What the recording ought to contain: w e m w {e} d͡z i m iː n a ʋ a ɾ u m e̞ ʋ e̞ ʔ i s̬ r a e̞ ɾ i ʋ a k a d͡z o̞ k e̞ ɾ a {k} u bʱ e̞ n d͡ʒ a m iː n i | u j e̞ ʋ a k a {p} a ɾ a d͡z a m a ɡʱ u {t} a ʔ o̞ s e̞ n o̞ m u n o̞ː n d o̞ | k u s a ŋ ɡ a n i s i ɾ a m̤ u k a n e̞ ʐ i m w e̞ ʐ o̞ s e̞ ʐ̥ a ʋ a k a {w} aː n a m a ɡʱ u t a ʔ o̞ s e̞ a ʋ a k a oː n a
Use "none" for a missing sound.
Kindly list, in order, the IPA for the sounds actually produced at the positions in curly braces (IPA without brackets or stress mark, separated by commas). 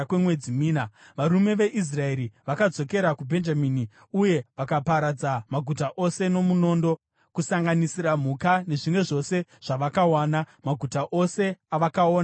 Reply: e, k, p, t, w